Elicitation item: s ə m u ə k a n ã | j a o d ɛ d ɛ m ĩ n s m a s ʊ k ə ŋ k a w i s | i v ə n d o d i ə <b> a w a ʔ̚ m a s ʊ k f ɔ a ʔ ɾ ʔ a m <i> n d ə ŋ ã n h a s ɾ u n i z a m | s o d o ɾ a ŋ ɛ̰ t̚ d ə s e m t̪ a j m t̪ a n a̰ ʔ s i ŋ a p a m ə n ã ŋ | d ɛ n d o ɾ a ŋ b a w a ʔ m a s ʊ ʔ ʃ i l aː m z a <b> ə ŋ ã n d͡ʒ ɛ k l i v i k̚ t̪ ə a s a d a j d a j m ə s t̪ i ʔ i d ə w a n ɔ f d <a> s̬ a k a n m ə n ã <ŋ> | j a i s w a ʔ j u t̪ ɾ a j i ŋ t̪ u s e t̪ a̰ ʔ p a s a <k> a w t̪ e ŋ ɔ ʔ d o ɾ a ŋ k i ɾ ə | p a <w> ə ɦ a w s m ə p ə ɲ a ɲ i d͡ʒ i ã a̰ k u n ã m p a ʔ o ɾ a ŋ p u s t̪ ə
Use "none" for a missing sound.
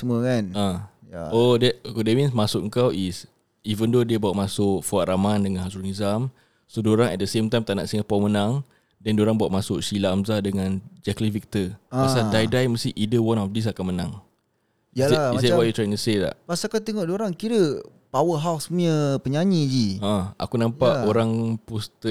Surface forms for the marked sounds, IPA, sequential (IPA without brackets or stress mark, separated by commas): b, a, d, i, ŋ, k, w